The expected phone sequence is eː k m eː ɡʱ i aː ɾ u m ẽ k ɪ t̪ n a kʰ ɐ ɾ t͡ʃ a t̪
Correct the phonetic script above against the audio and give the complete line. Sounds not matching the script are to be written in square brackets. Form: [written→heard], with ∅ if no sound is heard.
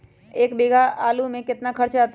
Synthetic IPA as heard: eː k [m→b] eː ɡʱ [i→a] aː [ɾ→l] u m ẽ k ɪ t̪ n a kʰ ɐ ɾ t͡ʃ a t̪